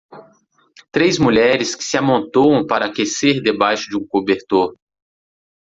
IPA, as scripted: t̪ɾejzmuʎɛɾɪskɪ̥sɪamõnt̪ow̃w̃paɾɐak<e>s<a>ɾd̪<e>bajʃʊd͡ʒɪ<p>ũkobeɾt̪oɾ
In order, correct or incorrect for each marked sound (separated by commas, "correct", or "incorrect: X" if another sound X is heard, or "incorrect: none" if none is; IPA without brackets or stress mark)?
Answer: correct, incorrect: e, correct, incorrect: none